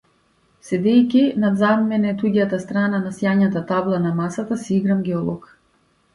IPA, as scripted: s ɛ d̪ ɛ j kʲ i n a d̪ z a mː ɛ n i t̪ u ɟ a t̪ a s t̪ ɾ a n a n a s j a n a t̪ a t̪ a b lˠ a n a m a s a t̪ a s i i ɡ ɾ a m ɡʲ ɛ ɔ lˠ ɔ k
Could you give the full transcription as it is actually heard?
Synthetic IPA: s ɛ d̪ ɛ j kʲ i n a d̪ z a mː ɛ n ɛ t̪ u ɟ a t̪ a s t̪ ɾ a n a n a s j a ɲ a t̪ a t̪ a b lˠ a n a m a s a t̪ a s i i ɡ ɾ a m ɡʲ ɛ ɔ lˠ ɔ k